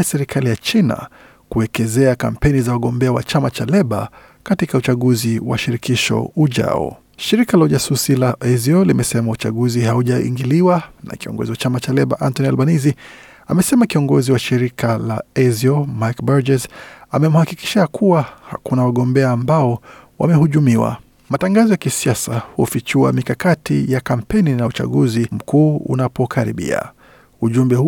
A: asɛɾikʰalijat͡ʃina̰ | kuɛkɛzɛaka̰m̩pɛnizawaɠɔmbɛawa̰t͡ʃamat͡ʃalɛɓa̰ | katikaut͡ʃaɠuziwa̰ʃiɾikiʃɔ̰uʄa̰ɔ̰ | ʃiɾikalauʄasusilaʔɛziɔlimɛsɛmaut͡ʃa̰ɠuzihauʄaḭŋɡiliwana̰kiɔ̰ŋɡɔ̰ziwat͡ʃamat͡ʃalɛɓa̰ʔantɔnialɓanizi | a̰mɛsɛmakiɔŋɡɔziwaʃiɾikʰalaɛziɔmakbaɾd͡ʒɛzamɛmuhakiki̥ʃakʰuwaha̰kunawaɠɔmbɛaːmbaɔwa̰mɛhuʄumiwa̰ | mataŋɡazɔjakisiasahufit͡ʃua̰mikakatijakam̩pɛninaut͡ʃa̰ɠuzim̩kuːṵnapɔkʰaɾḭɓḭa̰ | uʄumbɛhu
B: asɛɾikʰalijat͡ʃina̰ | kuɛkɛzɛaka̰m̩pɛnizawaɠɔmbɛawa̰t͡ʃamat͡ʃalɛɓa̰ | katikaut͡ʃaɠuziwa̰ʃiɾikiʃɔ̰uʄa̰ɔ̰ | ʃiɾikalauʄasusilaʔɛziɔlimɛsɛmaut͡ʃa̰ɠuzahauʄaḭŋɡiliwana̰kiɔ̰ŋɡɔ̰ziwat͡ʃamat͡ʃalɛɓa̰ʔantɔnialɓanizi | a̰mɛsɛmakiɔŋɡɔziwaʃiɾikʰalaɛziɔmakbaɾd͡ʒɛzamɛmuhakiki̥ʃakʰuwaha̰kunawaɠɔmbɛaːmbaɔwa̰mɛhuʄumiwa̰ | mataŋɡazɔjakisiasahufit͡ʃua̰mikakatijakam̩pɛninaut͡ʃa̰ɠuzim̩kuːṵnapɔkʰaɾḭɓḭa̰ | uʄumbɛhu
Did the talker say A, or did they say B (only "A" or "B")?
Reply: A